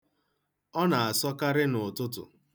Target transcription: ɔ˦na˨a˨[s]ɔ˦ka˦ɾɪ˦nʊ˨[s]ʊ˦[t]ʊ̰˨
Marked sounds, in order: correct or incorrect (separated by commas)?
correct, incorrect, correct